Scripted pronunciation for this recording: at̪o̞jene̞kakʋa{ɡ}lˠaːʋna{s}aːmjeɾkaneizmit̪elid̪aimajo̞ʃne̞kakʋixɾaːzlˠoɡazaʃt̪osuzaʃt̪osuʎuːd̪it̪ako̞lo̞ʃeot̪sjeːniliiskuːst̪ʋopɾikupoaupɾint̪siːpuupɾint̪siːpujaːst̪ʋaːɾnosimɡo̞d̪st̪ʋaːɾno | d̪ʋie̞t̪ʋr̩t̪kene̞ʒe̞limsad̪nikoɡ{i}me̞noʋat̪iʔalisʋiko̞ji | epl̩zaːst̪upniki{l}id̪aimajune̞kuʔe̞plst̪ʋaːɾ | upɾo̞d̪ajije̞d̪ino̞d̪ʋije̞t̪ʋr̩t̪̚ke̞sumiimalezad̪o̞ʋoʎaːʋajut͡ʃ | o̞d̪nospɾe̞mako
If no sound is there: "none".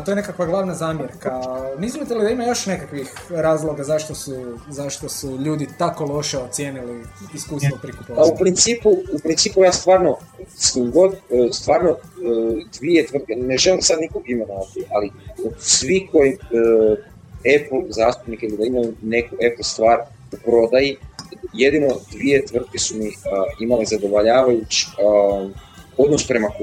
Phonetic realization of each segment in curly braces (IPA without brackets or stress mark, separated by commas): ɡ, z, i, l